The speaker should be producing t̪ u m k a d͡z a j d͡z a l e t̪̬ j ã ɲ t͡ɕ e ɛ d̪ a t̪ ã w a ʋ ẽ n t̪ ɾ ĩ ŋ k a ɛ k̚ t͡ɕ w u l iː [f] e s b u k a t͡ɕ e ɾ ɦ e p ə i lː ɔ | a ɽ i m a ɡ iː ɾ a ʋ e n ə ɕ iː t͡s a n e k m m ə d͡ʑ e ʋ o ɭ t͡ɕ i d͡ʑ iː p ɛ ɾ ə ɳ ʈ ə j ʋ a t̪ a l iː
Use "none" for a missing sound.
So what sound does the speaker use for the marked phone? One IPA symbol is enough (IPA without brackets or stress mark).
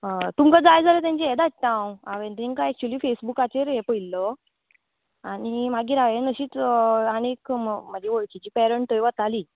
f